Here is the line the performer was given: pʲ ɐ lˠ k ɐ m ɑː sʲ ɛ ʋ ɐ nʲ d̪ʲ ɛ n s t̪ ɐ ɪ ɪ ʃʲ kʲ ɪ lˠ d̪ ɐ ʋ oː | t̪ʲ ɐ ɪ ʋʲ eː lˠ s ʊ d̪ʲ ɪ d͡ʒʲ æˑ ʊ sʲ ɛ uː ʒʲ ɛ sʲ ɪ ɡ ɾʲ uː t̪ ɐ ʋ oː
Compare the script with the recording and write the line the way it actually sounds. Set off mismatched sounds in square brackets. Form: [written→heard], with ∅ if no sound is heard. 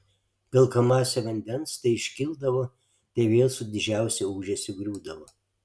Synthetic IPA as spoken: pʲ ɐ lˠ k ɐ m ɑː sʲ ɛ ʋ ɐ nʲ d̪ʲ ɛ n s t̪ ɐ ɪ ɪ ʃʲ kʲ ɪ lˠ d̪ ɐ ʋ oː | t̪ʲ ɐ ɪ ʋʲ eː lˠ s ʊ d̪ʲ ɪ d͡ʒʲ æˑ ʊ sʲ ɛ uː ʒʲ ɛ sʲ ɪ ɡ ɾʲ uː [t̪→d̪] ɐ ʋ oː

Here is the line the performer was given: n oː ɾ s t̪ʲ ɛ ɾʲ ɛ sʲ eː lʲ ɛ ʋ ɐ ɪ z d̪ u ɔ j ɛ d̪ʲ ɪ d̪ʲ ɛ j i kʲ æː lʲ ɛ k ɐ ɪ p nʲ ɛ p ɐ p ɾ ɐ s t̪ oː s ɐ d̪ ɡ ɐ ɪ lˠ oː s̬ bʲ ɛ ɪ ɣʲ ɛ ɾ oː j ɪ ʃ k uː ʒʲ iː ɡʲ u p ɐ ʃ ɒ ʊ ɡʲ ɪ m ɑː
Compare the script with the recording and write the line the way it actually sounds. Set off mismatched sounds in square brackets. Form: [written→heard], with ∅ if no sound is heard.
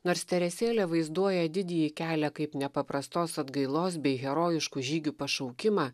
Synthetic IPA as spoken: n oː ɾ s t̪ʲ ɛ ɾʲ ɛ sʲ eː lʲ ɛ ʋ ɐ ɪ z d̪ u ɔ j ɛ d̪ʲ ɪ d̪ʲ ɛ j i kʲ æː lʲ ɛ k ɐ ɪ p nʲ ɛ p ɐ p ɾ ɐ s t̪ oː s ɐ d̪ ɡ ɐ ɪ lˠ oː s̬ bʲ ɛ ɪ ɣʲ ɛ ɾ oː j ɪ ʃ k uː ʒʲ iː ɡʲ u p ɐ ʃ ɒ ʊ [ɡʲ→kʲ] ɪ m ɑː

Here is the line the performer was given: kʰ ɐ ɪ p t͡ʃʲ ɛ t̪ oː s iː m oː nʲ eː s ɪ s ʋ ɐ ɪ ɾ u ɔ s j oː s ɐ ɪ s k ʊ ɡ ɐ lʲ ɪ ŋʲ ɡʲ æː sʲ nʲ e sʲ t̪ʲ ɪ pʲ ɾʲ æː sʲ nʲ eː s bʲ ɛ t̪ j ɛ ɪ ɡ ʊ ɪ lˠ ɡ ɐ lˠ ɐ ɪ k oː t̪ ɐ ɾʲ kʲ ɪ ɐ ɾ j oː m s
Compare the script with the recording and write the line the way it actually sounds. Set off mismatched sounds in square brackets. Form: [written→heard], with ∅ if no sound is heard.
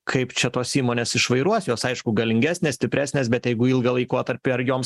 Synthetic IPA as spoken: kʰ ɐ ɪ p t͡ʃʲ ɛ t̪ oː s iː m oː nʲ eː s ɪ [s→ʃ] ʋ ɐ ɪ ɾ u ɔ s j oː s ɐ ɪ [s→ʃ] k ʊ ɡ ɐ lʲ ɪ ŋʲ ɡʲ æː sʲ nʲ e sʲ t̪ʲ ɪ pʲ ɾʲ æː sʲ nʲ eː s bʲ ɛ t̪ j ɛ ɪ ɡ ʊ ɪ lˠ ɡ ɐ lˠ ɐ ɪ k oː t̪ ɐ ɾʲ [kʲ→pʲ] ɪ ɐ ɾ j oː m s

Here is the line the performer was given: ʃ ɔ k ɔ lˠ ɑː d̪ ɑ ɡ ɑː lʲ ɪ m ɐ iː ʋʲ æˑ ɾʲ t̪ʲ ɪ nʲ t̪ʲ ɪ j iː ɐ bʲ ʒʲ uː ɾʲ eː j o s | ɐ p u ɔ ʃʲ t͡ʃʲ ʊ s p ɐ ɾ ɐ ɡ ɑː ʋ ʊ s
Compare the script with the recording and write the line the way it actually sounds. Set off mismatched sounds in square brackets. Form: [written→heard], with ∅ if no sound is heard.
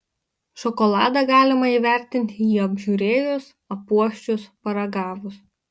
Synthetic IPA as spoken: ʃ ɔ k ɔ lˠ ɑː d̪ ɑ ɡ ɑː lʲ ɪ m ɐ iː ʋʲ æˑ ɾʲ t̪ʲ ɪ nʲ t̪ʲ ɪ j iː ɐ bʲ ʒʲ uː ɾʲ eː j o s | ɐ p u ɔ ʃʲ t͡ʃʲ ʊ s p ɐ ɾ ɐ ɡ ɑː ʋ ʊ s

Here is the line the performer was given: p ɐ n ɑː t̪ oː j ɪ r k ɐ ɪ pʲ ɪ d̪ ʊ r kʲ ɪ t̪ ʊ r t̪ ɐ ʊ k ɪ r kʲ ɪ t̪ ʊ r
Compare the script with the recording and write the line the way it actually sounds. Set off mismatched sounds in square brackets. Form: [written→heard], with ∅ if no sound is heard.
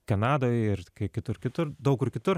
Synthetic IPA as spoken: [p→k] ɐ n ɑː [t̪→d̪] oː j ɪ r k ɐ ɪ [pʲ→kʲ] ɪ [d̪→t̪] ʊ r kʲ ɪ t̪ ʊ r [t̪→d̪] ɐ ʊ k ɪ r kʲ ɪ t̪ ʊ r

